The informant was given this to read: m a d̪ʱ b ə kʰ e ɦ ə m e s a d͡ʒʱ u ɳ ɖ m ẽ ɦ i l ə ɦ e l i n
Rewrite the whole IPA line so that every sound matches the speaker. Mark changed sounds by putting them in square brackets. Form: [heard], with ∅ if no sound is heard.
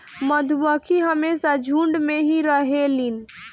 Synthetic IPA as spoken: m [ə] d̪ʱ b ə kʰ [i] ɦ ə m e s a d͡ʒʱ u ɳ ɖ m [e] ɦ i [ɾ] ə ɦ e l i n